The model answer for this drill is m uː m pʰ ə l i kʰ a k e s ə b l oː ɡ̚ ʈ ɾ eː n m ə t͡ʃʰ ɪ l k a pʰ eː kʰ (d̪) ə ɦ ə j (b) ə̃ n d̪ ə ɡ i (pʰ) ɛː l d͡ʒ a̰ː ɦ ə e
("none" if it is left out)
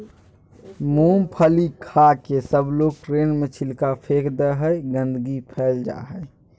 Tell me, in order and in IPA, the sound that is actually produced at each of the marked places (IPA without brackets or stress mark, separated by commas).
d̪, ɡ, pʰ